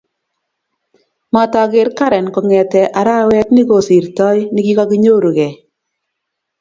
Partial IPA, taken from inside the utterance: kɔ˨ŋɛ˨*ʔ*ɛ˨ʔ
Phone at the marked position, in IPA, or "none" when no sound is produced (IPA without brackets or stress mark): t